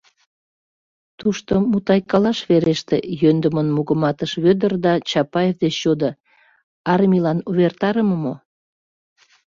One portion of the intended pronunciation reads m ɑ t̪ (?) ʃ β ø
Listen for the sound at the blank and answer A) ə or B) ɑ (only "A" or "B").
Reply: A